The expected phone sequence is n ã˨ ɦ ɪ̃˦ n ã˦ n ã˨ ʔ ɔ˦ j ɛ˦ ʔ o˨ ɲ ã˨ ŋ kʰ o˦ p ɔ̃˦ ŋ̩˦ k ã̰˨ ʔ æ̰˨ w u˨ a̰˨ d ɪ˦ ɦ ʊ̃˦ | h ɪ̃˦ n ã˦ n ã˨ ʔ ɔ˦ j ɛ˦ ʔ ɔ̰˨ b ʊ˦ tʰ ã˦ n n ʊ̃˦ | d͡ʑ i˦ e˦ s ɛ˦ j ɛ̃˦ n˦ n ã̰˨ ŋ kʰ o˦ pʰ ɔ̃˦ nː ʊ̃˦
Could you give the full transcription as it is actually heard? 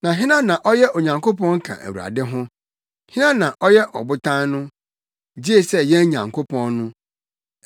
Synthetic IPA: n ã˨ ɦ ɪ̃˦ n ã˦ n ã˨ ʔ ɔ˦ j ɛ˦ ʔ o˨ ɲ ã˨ ŋ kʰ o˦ p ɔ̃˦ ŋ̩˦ kʰ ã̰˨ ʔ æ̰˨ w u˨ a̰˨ d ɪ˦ ɦ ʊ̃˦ | h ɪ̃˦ n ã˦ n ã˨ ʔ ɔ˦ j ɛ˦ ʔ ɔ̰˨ b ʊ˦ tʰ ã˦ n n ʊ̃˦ | d͡ʑ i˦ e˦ s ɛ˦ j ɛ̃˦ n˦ ɲ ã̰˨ ŋ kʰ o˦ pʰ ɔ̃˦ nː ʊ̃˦